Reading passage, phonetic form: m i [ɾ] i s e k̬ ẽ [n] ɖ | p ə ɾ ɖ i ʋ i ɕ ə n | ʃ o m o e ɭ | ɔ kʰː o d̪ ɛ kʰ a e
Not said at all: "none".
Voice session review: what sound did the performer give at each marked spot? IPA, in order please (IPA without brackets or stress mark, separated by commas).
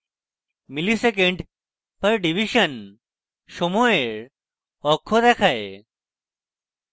l, ɳ